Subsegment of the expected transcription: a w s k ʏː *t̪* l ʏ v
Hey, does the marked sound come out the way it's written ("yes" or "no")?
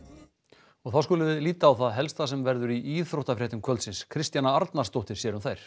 no